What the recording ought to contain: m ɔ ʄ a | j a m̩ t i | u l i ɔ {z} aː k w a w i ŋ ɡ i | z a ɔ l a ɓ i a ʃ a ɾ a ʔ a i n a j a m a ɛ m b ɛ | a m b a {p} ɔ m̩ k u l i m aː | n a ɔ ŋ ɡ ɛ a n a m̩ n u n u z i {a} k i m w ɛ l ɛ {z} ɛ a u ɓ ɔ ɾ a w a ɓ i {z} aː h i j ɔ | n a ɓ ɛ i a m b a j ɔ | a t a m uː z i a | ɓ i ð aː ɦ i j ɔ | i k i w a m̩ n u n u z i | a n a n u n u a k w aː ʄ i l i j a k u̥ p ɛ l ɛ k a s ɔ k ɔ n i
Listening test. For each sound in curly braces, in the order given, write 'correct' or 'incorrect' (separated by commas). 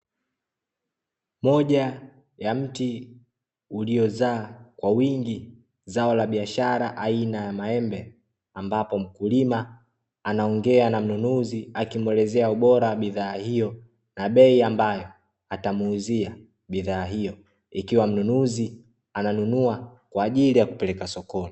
correct, correct, correct, correct, incorrect